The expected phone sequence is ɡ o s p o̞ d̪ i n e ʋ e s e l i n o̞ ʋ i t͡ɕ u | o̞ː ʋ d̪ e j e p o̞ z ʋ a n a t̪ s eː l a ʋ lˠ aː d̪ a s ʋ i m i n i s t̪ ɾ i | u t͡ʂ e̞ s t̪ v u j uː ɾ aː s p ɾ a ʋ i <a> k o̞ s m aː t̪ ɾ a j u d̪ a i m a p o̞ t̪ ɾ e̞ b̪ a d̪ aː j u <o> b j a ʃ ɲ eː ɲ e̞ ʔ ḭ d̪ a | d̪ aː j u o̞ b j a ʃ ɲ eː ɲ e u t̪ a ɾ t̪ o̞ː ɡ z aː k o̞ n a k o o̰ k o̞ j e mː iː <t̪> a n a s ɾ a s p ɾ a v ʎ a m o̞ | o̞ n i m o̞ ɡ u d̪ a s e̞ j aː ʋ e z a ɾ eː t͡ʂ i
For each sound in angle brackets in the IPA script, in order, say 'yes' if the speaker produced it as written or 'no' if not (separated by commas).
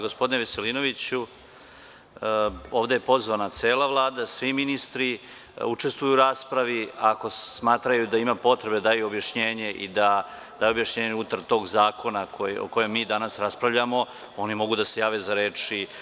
yes, yes, no